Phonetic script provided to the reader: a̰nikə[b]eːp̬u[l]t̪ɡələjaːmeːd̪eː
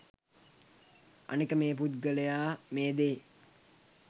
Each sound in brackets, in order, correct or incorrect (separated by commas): incorrect, incorrect